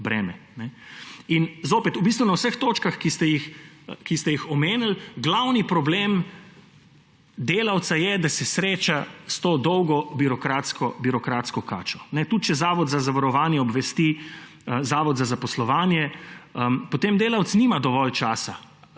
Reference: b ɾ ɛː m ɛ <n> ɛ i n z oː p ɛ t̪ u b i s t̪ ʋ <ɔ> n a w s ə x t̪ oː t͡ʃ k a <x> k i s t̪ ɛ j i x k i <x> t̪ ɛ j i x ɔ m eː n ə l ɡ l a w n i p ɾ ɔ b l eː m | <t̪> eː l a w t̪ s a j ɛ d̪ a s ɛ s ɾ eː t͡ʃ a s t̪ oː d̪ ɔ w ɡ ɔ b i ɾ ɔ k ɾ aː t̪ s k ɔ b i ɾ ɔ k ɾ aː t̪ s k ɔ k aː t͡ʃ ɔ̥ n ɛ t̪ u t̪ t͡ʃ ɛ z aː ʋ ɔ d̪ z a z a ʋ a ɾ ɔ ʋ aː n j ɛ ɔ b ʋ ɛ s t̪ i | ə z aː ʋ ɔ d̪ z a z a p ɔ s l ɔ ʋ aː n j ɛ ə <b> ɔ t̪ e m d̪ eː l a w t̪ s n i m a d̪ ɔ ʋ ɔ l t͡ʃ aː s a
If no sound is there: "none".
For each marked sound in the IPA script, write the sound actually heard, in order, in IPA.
n, u, x, s, d̪, p

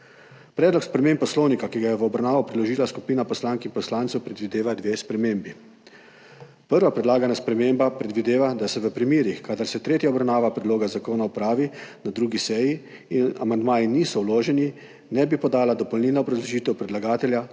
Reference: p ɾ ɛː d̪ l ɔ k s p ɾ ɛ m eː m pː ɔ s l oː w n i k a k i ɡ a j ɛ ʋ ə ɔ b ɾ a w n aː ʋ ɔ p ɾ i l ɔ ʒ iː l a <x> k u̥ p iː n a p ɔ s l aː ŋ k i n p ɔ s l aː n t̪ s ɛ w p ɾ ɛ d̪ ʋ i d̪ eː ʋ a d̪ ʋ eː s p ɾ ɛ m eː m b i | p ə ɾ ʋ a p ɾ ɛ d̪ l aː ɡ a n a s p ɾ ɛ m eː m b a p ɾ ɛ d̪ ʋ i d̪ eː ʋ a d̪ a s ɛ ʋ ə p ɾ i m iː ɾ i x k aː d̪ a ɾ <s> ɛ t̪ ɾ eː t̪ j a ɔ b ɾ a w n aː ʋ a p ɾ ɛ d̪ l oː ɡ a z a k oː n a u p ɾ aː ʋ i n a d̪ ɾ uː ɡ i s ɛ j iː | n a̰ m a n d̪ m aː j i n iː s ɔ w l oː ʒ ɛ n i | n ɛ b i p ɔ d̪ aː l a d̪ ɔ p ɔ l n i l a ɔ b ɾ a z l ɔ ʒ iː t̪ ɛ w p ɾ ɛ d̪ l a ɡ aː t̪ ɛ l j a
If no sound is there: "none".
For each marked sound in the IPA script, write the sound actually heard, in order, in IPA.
s, s

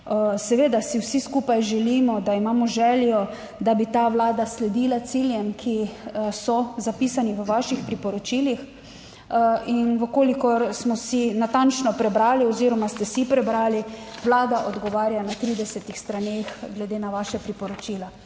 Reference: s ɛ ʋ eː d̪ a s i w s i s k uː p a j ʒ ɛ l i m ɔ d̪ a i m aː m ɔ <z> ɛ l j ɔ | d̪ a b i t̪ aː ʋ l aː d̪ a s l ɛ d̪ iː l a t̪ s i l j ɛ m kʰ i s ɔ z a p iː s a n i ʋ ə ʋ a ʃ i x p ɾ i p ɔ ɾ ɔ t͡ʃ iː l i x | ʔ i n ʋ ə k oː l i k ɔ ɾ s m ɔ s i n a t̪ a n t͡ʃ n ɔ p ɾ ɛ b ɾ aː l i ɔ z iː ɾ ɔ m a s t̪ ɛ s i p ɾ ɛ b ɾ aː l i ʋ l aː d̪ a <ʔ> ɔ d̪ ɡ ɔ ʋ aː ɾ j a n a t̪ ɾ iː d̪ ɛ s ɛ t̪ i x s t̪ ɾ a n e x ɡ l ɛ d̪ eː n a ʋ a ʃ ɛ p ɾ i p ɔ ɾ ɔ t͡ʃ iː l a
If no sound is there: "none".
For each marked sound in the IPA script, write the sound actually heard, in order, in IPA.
ʒ, ʔ

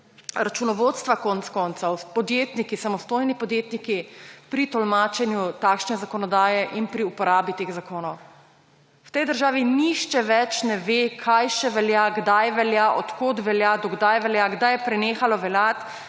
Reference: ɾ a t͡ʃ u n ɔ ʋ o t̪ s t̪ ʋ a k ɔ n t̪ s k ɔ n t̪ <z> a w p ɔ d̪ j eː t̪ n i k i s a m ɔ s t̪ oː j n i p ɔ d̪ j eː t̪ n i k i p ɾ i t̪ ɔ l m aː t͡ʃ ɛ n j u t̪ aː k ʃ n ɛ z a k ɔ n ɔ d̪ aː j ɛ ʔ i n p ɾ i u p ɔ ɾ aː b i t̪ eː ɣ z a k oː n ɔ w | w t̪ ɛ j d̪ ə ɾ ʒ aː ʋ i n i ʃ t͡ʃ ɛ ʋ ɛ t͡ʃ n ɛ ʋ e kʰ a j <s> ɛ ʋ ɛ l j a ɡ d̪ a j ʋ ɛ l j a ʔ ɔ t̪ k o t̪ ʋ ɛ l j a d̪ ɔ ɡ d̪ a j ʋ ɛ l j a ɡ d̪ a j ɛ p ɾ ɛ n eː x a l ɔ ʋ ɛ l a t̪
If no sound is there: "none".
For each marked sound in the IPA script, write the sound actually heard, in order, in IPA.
s, ʃ

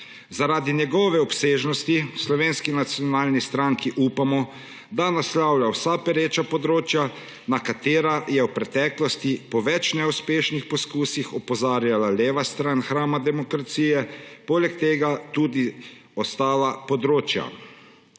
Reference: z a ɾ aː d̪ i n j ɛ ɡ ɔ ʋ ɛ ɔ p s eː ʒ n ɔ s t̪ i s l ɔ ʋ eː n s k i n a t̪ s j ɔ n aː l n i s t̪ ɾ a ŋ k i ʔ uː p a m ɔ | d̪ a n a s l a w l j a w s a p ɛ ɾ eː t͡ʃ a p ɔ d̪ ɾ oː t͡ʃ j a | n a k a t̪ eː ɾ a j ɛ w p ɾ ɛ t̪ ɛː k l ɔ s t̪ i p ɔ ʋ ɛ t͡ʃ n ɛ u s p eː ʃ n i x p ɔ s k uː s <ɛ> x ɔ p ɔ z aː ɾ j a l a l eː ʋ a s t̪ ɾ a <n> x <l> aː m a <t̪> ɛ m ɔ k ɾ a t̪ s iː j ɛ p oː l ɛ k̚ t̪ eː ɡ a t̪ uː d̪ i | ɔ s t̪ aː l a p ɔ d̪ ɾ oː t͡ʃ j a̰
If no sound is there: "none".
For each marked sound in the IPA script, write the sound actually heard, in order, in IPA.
i, n, ɾ, d̪

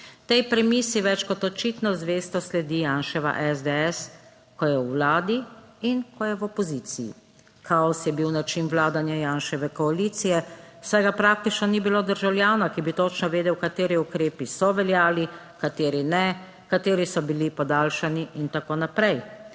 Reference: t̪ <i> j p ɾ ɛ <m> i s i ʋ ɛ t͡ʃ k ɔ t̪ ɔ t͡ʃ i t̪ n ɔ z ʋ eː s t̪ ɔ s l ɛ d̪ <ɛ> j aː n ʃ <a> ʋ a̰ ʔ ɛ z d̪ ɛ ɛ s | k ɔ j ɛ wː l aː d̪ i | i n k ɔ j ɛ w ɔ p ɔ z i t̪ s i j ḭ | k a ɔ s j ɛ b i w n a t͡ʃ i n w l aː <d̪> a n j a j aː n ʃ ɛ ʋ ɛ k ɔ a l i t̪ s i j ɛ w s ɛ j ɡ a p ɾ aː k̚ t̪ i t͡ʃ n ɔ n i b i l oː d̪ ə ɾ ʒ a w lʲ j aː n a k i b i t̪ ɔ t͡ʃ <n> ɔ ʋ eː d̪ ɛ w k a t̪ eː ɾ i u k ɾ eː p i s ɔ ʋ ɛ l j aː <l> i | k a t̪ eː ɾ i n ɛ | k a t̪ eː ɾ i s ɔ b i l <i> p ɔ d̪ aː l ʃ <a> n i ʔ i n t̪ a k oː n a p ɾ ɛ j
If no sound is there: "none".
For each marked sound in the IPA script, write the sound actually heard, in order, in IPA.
ɛ, m, i, ɛ, d̪, n, l, i, a

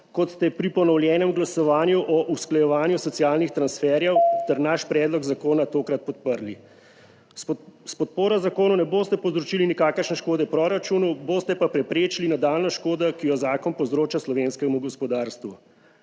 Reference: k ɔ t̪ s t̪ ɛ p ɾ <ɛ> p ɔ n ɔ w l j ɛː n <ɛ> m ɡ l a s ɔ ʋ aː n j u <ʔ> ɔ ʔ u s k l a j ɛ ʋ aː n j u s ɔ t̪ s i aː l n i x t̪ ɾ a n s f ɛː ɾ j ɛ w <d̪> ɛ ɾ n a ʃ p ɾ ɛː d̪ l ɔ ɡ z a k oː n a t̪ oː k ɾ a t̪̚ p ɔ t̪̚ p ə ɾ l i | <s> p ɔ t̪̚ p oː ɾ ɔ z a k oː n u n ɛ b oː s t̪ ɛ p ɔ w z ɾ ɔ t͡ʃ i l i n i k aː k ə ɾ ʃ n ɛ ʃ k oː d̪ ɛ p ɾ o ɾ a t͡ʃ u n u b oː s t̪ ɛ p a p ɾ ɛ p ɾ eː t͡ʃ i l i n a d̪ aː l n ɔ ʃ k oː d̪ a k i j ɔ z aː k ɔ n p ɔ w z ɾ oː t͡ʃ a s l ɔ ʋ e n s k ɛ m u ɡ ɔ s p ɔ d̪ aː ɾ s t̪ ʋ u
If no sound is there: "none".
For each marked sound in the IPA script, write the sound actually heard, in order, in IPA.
i, ɛ, ʔ, t̪, s

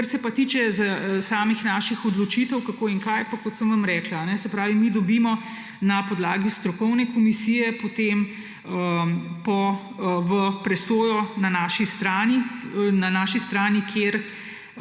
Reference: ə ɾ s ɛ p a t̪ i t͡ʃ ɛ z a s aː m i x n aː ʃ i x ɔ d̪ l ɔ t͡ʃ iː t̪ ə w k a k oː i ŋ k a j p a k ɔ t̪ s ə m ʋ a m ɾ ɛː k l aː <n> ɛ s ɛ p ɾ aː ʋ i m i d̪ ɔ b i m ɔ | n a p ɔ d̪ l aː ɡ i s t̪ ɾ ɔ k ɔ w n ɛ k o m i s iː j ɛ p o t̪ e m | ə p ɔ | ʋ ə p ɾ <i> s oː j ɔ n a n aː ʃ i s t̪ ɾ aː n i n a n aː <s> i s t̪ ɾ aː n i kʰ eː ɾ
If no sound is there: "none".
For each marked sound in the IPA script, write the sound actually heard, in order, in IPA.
n, ɛ, ʃ

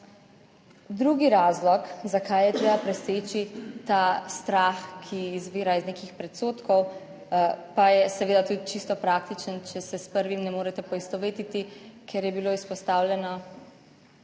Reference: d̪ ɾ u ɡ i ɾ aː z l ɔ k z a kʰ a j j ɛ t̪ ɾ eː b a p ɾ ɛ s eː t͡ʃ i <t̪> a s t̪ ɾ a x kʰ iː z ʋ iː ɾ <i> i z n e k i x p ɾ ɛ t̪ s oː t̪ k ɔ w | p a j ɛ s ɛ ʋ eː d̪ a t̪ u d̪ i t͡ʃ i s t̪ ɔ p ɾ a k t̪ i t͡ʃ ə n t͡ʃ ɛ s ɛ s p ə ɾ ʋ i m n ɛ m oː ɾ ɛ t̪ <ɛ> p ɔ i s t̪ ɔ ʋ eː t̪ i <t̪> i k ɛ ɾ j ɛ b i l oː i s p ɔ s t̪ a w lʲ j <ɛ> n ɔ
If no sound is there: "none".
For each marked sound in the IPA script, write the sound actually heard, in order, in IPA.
t̪, a, ɛ, t̪, ɛ

